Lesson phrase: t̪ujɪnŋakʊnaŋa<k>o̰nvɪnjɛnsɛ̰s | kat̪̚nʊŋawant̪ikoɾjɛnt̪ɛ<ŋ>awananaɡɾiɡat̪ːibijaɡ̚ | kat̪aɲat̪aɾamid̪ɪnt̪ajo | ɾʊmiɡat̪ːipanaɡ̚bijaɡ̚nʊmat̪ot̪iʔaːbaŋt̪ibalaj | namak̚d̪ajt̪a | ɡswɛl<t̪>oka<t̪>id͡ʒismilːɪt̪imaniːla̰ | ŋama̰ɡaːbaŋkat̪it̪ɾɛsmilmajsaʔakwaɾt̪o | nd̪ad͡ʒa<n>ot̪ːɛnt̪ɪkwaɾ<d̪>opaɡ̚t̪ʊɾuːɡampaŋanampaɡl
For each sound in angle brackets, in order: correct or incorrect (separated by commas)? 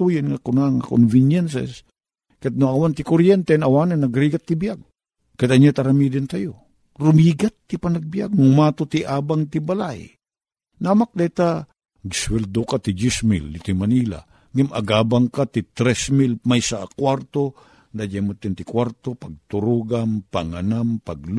correct, incorrect, incorrect, correct, incorrect, incorrect